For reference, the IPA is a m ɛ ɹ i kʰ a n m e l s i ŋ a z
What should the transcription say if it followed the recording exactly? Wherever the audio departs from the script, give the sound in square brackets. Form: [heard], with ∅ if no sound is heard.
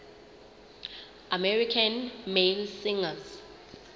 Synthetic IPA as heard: a m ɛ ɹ i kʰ a n m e l s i ŋ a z